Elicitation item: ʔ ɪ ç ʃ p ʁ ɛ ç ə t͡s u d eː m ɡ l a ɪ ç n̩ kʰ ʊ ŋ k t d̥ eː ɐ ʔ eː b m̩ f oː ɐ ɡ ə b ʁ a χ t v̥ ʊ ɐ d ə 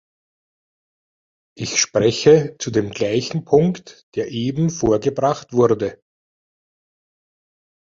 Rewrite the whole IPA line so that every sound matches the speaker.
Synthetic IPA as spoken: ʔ ɪ ç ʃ p ʁ ɛ ç ə t͡s u d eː m ɡ l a ɪ ç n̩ pʰ ʊ ŋ k t d̥ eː ɐ ʔ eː b m̩ f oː ɐ ɡ ə b ʁ a χ t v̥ ʊ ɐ d ə